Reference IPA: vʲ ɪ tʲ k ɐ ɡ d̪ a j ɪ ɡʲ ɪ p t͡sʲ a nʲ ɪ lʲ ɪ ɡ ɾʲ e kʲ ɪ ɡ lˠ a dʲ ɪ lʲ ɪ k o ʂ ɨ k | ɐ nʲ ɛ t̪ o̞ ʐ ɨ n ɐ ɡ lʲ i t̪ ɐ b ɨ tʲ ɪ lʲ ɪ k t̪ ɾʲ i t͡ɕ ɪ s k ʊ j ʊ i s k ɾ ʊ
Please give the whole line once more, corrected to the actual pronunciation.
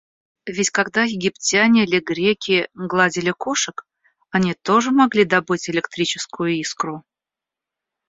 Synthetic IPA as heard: vʲ ɪ tʲ k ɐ ɡ d̪ a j ɪ ɡʲ ɪ p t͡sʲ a nʲ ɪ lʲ ɪ ɡ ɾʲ e kʲ ɪ ɡ lˠ a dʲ ɪ lʲ ɪ k o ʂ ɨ k | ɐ nʲ i t̪ o̞ ʐ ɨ m ɐ ɡ lʲ i d̪ ɐ b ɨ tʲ ɪ lʲ ɪ k t̪ ɾʲ i t͡ɕ ɪ s k ʊ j ʊ i s k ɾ ʊ